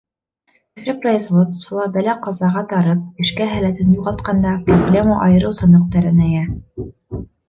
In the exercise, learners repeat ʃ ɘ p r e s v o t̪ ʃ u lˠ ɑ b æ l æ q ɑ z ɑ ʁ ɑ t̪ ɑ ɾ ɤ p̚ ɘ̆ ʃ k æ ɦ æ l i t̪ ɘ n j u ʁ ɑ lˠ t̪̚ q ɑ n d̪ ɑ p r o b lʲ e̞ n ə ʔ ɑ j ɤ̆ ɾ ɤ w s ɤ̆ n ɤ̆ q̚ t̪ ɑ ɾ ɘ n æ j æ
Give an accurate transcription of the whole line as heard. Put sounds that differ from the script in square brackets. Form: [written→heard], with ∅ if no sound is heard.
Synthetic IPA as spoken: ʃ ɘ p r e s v o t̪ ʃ u lˠ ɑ b æ l æ q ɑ z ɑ ʁ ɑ t̪ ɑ ɾ ɤ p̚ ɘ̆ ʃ k æ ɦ æ l [i→æ] t̪ ɘ n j u ʁ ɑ lˠ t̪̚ q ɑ n d̪ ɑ p r o b lʲ e̞ [n→m] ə ʔ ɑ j ɤ̆ ɾ ɤ w s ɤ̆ n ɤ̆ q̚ t̪ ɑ ɾ ɘ n æ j æ